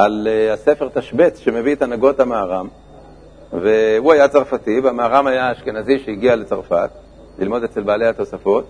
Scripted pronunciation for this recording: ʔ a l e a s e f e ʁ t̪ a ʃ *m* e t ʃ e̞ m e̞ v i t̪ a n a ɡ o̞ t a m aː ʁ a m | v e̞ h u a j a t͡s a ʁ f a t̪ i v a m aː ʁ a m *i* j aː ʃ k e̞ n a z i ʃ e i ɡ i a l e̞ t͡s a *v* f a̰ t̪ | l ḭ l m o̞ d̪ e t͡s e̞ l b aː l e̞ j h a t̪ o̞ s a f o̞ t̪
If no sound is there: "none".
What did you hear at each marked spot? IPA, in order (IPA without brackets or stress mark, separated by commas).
b, a, ʁ